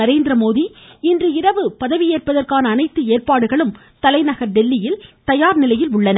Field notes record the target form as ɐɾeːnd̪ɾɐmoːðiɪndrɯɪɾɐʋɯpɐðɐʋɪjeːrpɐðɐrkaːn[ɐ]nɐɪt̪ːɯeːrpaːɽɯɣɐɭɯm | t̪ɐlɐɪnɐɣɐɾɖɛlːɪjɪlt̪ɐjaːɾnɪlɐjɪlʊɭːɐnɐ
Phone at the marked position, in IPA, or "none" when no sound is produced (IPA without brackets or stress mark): ɐː